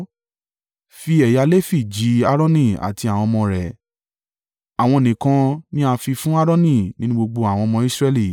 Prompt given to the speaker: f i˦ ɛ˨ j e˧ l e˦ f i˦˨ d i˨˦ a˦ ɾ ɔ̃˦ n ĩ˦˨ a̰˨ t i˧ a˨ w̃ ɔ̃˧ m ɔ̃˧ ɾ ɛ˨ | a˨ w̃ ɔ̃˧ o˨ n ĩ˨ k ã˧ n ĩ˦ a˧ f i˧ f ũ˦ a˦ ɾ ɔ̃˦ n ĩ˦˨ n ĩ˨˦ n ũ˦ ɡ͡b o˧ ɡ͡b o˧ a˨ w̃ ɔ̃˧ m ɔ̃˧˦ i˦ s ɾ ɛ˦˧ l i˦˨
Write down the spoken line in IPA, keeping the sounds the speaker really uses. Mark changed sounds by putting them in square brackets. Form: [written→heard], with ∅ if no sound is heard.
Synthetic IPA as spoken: f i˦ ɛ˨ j [e˧→a˧] l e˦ f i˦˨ [d→d͡ʒ] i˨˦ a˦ ɾ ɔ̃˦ n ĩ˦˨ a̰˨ t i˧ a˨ w̃ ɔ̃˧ m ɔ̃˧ ɾ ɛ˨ | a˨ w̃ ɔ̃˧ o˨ n ĩ˨ k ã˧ n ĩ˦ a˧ f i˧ f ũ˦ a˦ ɾ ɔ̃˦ n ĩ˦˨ n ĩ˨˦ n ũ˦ ɡ͡b o˧ ɡ͡b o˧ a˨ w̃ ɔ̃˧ m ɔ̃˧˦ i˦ s ɾ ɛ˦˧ l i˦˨

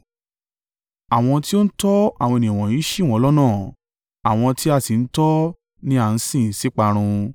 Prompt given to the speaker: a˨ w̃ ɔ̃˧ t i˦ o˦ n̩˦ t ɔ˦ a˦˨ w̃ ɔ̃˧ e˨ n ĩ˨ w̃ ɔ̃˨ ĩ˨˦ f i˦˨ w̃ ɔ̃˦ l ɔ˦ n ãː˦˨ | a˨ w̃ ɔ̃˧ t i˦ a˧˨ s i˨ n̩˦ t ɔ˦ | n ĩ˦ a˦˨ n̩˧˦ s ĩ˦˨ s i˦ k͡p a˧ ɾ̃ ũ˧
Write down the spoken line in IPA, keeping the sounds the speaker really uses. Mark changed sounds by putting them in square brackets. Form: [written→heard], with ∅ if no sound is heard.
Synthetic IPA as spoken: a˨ w̃ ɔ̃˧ t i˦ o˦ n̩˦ t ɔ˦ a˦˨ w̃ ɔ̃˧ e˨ n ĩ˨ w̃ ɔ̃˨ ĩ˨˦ [f→ʃ] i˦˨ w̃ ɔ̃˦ l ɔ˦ n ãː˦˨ | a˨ w̃ ɔ̃˧ t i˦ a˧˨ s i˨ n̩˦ t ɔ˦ | n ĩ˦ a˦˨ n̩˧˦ s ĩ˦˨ s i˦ k͡p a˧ ɾ̃ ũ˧

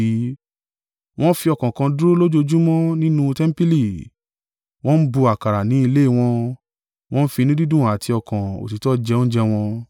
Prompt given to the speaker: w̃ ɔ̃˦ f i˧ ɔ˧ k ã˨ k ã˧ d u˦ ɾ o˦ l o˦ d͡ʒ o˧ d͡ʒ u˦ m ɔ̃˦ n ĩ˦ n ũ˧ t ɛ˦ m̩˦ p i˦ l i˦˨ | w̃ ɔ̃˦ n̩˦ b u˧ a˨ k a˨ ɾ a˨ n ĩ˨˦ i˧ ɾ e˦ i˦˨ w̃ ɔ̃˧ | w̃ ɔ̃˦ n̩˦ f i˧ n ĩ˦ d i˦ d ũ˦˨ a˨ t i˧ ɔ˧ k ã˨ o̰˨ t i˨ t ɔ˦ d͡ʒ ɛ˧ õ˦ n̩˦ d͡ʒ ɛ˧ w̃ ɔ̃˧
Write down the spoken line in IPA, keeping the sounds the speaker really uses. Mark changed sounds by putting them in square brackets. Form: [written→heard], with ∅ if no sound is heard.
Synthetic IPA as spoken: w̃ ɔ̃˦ f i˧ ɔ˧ k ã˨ k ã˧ d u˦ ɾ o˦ l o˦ d͡ʒ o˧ d͡ʒ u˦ m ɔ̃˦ n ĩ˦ n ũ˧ t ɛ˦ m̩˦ p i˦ l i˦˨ | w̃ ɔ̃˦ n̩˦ b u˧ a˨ k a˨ ɾ a˨ n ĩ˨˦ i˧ [ɾ→l] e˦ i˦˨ w̃ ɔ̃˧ | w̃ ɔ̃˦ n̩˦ f i˧ n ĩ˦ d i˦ d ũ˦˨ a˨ t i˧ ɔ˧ k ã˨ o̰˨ t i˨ t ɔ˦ d͡ʒ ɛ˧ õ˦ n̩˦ d͡ʒ ɛ˧ w̃ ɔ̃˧

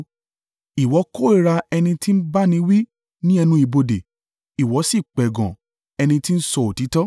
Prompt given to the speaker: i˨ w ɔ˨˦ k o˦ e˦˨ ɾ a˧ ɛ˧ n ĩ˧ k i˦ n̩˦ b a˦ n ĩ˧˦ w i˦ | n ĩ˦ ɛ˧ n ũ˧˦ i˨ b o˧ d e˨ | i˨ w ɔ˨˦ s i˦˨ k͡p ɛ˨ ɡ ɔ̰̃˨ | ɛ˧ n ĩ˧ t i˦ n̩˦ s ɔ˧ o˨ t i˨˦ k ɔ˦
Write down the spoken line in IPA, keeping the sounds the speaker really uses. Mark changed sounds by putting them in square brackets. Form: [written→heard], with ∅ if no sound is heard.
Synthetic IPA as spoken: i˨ w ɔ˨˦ k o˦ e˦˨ ɾ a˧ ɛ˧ n ĩ˧ [k→t] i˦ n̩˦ b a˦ n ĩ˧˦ w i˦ | n ĩ˦ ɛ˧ n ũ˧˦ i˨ b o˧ d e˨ | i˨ w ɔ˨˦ s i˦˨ k͡p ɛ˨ ɡ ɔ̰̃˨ | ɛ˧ n ĩ˧ t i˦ n̩˦ s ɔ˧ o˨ t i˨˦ [k→t] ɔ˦

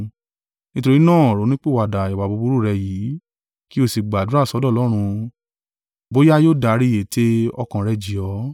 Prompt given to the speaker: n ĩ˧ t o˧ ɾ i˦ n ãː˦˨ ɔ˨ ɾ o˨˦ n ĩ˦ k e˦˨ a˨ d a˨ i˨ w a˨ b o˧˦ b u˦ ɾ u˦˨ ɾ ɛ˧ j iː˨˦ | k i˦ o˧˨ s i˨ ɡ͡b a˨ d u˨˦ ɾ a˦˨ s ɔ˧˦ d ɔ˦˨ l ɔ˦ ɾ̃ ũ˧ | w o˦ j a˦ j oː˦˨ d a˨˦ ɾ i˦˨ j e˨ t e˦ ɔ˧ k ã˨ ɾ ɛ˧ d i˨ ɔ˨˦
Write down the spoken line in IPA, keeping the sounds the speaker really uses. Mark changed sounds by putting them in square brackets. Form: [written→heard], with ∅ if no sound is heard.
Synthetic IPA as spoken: n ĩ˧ t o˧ ɾ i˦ n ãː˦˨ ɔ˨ ɾ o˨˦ n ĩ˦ [k→k͡p] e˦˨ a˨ d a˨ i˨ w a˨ b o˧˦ b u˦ ɾ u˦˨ ɾ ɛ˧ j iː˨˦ | k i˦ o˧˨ s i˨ ɡ͡b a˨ d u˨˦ ɾ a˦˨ s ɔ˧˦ d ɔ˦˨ l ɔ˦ ɾ̃ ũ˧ | [w→b] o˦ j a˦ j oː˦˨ d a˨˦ ɾ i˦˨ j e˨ t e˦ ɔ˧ k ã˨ ɾ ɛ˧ [d→d͡ʒ] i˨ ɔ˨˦

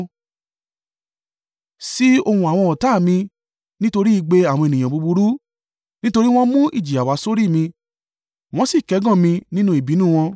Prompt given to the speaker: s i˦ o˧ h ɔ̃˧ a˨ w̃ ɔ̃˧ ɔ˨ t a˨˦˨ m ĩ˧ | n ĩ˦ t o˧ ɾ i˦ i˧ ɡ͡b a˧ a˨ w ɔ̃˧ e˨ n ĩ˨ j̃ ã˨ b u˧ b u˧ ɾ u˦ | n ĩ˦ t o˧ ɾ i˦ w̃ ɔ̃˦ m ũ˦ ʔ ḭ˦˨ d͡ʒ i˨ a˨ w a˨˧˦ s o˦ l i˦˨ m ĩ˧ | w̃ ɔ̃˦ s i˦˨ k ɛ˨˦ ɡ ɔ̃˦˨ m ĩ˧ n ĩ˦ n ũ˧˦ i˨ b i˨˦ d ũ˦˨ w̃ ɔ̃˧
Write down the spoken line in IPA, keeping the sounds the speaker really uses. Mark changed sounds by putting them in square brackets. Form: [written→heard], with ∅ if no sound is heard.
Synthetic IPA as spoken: s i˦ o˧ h [ɔ̃˧→ũ˧] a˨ w̃ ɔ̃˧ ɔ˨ t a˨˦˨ m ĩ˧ | n ĩ˦ t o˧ ɾ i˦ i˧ ɡ͡b [a˧→e˧] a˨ w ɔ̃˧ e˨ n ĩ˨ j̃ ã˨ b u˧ b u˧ ɾ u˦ | n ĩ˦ t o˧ ɾ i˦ w̃ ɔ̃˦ m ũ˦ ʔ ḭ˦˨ d͡ʒ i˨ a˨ w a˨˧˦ s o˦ [l→ɾ] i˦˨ m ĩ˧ | w̃ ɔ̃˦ s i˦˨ k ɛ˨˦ ɡ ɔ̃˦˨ m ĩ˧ n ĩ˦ n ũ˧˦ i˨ b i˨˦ [d→n] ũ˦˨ w̃ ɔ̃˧

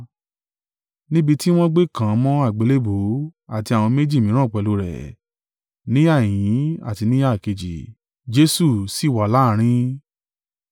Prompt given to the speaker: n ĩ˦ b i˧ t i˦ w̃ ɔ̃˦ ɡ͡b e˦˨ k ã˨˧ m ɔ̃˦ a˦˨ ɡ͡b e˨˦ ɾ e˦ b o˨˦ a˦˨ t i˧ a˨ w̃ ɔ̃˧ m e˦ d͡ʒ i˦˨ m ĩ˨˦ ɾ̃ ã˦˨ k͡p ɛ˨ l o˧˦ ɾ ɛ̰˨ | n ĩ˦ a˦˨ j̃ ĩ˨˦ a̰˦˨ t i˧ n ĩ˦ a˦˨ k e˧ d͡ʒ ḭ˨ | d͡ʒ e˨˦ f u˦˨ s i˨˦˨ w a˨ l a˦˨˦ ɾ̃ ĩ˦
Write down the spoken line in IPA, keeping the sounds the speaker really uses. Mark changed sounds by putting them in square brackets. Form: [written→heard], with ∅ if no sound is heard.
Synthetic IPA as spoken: n ĩ˦ b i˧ t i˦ w̃ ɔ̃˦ ɡ͡b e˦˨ k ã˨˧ m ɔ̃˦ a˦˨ ɡ͡b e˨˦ [ɾ→l] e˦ b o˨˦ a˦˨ t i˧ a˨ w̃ ɔ̃˧ m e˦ d͡ʒ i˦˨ m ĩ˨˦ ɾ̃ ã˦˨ k͡p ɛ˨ l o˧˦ ɾ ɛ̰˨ | n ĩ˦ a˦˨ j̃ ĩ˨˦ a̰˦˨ t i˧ n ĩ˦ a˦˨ k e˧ d͡ʒ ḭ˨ | d͡ʒ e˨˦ [f→s] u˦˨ s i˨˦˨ w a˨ l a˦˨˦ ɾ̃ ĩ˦

